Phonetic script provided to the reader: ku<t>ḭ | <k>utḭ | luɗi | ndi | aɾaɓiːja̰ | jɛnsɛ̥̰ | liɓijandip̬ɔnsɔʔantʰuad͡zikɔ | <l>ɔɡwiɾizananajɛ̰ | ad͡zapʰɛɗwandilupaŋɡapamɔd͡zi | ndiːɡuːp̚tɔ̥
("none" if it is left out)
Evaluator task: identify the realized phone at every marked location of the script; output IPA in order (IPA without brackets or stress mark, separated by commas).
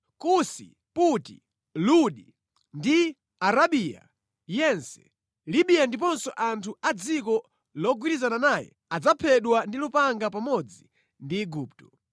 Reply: s, p, l